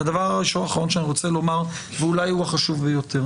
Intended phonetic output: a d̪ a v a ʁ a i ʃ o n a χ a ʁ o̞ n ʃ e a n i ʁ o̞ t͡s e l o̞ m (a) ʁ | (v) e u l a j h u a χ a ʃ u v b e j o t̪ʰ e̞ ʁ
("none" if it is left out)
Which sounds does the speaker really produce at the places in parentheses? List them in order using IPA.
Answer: a, v

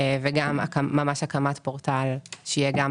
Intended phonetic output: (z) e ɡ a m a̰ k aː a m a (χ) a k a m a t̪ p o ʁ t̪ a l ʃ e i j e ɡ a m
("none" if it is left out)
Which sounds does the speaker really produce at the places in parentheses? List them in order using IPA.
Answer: v, ʃ

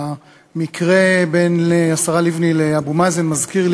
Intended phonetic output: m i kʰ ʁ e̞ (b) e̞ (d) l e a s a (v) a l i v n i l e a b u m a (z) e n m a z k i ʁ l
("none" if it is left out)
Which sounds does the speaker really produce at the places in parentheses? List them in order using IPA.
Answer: b, n, ʁ, z

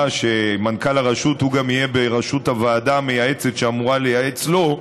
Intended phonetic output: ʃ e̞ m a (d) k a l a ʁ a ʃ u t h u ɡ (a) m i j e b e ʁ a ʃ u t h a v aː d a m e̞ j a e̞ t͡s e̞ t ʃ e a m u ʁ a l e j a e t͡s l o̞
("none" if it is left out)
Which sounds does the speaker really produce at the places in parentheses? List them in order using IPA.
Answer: n, a

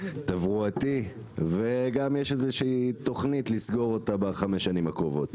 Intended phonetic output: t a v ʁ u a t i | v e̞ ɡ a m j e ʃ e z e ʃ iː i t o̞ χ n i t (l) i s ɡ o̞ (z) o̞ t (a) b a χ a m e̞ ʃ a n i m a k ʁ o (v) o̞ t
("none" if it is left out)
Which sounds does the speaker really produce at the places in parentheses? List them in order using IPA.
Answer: l, ʁ, a, v

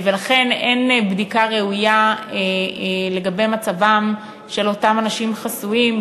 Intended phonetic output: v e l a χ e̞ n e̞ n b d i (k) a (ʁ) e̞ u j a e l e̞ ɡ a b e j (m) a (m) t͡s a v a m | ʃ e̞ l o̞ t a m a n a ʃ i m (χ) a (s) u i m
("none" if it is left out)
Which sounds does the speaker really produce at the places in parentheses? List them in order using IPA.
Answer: k, ʁ, m, none, χ, s

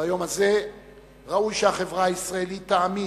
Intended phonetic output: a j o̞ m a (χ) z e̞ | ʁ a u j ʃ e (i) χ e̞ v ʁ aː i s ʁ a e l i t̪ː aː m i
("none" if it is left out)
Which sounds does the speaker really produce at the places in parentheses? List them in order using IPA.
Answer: none, a

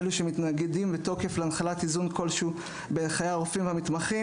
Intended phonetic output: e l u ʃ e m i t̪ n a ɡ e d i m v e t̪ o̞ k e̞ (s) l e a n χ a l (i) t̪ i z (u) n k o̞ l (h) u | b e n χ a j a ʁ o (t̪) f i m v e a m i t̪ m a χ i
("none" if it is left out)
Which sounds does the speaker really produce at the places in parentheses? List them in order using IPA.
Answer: f, a, u, ʃ, none

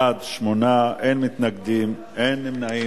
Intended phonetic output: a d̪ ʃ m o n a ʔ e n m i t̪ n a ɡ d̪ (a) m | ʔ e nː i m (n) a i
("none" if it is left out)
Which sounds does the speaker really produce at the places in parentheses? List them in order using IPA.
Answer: i, n

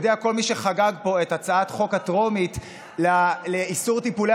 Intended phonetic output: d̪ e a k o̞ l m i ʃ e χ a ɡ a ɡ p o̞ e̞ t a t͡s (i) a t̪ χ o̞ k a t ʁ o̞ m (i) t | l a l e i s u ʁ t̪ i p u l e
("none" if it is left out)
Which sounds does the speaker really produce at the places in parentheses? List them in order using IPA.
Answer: a, i

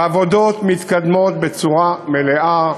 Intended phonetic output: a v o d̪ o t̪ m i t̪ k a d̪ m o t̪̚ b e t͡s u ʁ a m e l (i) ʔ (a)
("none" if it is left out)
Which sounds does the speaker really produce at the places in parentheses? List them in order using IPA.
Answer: e, a

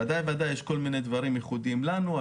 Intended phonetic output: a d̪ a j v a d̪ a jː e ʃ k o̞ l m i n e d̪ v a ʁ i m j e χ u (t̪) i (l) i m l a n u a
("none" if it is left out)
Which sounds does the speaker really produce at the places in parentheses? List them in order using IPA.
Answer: d̪, none

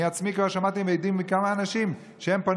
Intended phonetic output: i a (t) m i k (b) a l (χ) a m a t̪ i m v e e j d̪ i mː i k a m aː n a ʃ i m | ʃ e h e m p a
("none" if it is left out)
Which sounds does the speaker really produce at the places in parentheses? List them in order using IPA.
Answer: t͡s, v, ʃ

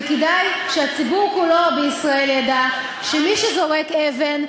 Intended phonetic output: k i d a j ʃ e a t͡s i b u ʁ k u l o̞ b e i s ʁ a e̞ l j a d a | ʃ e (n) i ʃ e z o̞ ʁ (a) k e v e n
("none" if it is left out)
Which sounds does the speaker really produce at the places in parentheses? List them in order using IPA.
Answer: m, e

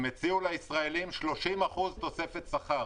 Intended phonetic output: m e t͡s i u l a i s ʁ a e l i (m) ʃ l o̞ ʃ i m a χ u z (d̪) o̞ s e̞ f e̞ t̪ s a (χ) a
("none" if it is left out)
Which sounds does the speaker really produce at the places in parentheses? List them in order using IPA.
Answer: m, t̪, χ

